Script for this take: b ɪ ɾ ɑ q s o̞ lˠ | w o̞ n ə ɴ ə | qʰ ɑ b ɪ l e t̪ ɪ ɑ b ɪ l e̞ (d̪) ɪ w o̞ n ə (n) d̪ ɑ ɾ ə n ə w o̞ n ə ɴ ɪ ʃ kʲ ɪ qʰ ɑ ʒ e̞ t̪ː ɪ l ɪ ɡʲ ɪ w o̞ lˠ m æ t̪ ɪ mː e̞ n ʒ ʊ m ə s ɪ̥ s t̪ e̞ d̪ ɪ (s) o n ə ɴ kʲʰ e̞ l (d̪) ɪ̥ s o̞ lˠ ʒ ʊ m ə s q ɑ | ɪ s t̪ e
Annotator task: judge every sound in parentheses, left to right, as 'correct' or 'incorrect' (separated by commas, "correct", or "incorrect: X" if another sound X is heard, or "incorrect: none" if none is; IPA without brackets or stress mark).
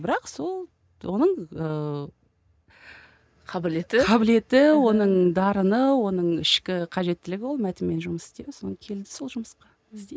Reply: incorrect: t̪, incorrect: ɴ, correct, correct